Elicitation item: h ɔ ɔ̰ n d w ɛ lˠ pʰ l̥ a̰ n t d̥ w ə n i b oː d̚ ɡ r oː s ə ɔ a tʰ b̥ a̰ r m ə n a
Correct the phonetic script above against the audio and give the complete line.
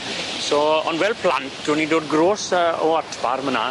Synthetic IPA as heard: s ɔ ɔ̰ n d w ɛ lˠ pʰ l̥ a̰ n t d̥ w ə n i d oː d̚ ɡ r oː s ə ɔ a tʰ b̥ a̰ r m ə n a